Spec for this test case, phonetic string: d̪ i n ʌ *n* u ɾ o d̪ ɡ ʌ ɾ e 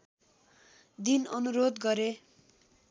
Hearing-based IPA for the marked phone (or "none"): n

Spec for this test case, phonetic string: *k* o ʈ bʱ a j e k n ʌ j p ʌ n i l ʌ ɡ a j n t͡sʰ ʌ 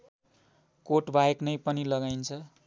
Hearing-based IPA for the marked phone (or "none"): k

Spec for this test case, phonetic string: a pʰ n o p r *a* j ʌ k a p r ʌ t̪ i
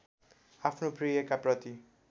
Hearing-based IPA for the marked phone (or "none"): i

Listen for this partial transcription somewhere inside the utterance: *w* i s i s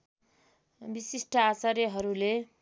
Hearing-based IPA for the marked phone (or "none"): b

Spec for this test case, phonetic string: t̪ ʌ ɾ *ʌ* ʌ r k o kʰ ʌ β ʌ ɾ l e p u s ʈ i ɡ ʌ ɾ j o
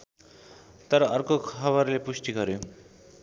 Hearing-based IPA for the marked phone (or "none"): ʌ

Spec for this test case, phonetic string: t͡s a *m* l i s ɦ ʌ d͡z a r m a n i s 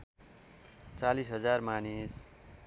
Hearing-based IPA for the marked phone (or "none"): none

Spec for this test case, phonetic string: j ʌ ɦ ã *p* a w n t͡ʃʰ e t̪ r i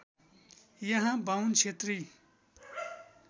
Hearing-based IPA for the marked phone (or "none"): b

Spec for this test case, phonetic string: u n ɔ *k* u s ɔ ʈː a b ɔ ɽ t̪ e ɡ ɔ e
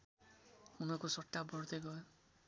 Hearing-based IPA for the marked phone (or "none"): k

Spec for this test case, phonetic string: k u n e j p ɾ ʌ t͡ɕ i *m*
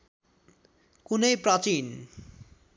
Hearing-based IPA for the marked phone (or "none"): n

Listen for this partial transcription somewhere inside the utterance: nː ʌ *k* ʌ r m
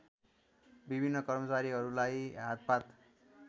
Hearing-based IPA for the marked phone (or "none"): k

